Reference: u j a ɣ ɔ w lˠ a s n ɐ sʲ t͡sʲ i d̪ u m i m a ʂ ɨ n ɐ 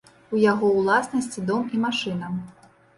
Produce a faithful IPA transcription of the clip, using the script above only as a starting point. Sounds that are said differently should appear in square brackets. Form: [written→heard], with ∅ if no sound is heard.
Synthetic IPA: u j a ɣ ɔ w lˠ a s n ɐ sʲ t͡sʲ i d̪ [u→ɔ] m i m a ʂ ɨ n ɐ

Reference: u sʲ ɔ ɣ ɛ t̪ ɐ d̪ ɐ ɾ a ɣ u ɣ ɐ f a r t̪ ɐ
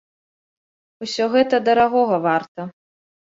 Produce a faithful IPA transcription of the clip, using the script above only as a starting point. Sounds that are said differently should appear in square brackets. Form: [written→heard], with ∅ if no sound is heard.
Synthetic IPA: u sʲ ɔ ɣ ɛ t̪ ɐ d̪ ɐ ɾ a ɣ [u→ɔ] ɣ ɐ [f→v] a r t̪ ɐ

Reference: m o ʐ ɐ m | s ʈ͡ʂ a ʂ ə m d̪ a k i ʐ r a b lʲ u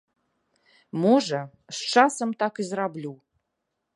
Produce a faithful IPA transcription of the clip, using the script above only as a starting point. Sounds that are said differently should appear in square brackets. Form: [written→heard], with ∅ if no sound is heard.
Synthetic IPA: m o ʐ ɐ [m→∅] | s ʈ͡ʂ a [ʂ→s] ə m [d̪→t̪] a k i [ʐ→z] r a b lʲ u

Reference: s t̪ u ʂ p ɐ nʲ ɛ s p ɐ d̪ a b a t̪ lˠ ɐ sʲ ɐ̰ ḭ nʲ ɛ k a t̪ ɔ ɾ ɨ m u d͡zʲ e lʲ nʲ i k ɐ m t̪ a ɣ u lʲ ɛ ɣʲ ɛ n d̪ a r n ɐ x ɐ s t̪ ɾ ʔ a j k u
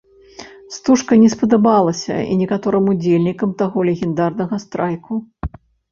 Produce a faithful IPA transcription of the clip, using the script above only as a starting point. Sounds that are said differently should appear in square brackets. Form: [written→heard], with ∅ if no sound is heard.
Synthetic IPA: s t̪ u ʂ [p→k] ɐ nʲ ɛ s p ɐ d̪ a b a [t̪→∅] lˠ ɐ sʲ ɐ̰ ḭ nʲ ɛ k a t̪ ɔ ɾ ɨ m u d͡zʲ e lʲ nʲ i k ɐ m t̪ a ɣ [u→ɔ] lʲ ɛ ɣʲ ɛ n d̪ a r n ɐ [x→ɣ] ɐ s t̪ ɾ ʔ a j k u

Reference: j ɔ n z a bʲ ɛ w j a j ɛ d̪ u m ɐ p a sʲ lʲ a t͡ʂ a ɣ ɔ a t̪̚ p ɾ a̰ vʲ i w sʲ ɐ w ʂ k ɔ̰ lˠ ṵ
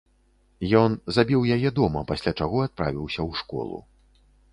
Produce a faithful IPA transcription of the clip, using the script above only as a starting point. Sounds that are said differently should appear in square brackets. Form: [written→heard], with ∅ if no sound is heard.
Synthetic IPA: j ɔ n z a bʲ [ɛ→i] w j a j ɛ d̪ [u→ɔ] m ɐ p a sʲ lʲ a t͡ʂ a ɣ ɔ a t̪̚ p ɾ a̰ vʲ i w sʲ ɐ w ʂ k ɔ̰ lˠ ṵ

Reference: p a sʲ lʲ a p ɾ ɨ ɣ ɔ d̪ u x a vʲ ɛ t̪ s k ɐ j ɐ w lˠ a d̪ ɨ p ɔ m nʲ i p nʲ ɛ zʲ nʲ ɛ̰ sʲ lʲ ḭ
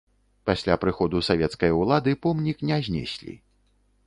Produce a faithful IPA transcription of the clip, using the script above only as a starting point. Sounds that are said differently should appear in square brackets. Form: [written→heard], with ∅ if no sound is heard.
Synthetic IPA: p a sʲ lʲ a p ɾ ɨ [ɣ→x] ɔ d̪ u [x→s] a vʲ ɛ t̪ s k ɐ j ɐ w lˠ a d̪ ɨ p ɔ m nʲ i [p→k] nʲ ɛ zʲ nʲ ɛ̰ sʲ lʲ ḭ

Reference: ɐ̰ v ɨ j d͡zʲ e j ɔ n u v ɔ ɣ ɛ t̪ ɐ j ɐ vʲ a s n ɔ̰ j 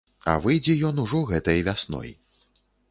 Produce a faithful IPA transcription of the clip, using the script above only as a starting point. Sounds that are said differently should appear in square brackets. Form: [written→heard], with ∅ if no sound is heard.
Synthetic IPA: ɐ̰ v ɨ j d͡zʲ [e→ɛ] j ɔ n u [v→ʐ] ɔ ɣ ɛ t̪ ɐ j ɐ vʲ a s n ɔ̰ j

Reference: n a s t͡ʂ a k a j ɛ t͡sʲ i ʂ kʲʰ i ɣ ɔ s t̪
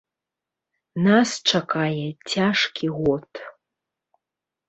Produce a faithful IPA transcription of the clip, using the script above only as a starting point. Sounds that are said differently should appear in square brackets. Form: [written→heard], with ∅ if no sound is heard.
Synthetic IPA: n a s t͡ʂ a k a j ɛ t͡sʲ [i→a] ʂ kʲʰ i ɣ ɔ [s→∅] t̪

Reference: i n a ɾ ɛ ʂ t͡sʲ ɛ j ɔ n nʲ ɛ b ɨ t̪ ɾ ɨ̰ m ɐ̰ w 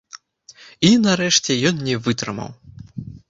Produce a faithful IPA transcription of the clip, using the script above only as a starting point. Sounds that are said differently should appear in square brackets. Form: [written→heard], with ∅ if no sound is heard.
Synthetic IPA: i n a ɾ ɛ ʂ t͡sʲ ɛ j ɔ n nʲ ɛ [b→v] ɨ t̪ ɾ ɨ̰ m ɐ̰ w

